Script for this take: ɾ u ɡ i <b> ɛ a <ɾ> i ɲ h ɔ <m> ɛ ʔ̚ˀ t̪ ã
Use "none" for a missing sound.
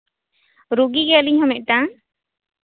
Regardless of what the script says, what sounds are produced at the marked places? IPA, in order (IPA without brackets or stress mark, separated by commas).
ɡ, l, m